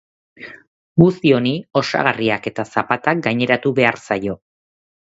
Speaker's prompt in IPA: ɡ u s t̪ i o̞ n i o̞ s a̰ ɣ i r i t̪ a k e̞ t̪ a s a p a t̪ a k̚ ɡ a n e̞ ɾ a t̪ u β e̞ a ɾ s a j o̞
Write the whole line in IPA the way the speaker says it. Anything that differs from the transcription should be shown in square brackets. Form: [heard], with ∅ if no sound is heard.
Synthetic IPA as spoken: ɡ u s t̪ i o̞ n i o̞ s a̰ ɣ [a] r i [∅] a k e̞ t̪ a s a p a t̪ a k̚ ɡ a [ɲ] e̞ ɾ a t̪ u β e̞ a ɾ s a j o̞